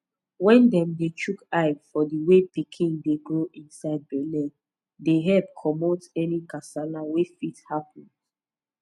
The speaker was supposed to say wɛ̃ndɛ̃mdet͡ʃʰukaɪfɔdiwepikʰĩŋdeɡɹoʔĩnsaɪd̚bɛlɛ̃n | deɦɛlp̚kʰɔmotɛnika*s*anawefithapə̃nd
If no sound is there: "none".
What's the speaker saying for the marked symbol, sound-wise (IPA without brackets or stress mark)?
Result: s